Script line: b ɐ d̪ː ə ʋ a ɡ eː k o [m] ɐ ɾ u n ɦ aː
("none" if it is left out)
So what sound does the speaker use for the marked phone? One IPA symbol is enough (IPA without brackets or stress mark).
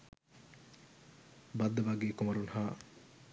m